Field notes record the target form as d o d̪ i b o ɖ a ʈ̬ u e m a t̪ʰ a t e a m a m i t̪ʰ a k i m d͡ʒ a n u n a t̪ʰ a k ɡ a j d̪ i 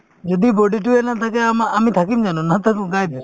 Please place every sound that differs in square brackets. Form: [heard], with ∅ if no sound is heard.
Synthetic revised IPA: [d͡ʒ] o d̪ i b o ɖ [i] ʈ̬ u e [n] a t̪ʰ a [k] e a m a m i t̪ʰ a k i m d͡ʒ a n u n a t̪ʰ a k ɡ a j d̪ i